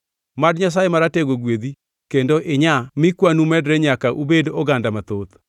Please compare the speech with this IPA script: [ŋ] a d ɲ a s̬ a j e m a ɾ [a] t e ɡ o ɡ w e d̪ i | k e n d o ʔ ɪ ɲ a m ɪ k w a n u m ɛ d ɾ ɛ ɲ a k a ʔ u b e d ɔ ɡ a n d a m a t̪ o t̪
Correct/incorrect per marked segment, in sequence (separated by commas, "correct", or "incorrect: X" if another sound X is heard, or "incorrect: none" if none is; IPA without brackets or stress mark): incorrect: m, correct